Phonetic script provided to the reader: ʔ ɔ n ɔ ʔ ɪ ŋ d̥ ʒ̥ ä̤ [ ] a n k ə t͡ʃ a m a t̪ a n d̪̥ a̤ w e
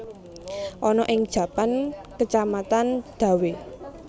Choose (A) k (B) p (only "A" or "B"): B